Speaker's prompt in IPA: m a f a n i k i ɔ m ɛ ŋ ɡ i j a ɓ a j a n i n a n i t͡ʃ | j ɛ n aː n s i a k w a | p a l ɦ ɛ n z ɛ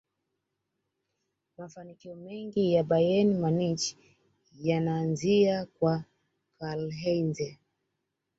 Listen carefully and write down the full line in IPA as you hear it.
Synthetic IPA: m a f a n i k i ɔ m ɛ ŋ ɡ i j a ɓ a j ɛ n i m a n i t͡ʃ | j a n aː n z i a k w a | k a l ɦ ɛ n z ɛ